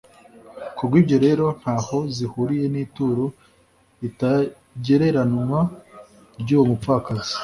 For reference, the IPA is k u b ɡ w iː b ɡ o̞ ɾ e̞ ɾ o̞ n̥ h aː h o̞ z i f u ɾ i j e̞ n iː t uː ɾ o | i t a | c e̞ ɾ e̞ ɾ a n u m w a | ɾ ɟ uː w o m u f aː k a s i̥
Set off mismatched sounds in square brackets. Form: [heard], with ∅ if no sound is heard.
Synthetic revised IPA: k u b ɡ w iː b [ɟ] o̞ ɾ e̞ ɾ o̞ n̥ h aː h o̞ z i [h] u ɾ i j e̞ n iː t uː ɾ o | i t a | [ɟ] e̞ ɾ e̞ ɾ a n u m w a | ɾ ɟ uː w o m u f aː k a [z] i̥